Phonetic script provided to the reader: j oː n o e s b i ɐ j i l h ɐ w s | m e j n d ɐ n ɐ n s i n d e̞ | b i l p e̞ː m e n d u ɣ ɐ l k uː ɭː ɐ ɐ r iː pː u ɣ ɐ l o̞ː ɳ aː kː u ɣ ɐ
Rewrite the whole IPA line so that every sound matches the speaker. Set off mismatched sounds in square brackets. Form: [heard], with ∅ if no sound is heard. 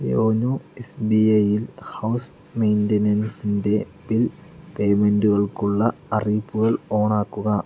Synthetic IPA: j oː n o e s b i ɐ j i l h ɐ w s | m e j n d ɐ n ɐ n s i n d e̞ | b i l p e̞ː m e n d u ɣ ɐ [ɭ] k [u] ɭː ɐ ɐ r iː pː u ɣ ɐ [ɭ] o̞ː ɳ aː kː u ɣ ɐ